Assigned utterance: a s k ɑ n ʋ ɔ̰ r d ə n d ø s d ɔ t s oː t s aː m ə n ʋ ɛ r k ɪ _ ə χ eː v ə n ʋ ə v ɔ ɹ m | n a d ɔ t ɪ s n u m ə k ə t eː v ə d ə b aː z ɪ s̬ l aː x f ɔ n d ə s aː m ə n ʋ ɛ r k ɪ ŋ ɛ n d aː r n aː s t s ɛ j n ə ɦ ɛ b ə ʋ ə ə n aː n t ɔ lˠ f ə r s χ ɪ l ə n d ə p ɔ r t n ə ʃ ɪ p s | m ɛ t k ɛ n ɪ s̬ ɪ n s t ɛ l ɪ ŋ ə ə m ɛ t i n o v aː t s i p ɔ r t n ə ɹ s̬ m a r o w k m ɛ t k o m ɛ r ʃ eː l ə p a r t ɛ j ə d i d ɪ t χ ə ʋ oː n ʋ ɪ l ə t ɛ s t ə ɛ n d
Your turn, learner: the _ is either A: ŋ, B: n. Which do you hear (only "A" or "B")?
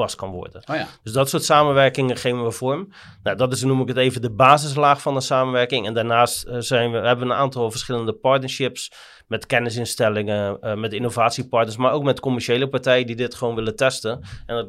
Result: A